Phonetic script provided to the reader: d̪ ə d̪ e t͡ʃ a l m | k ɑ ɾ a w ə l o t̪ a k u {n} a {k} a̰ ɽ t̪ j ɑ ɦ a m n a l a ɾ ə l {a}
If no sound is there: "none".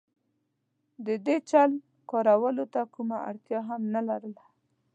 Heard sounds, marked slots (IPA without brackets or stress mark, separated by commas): m, none, a